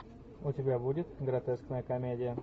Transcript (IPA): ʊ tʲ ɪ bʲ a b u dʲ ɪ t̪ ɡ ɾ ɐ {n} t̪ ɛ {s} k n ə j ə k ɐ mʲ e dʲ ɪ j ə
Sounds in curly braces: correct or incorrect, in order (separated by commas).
incorrect, correct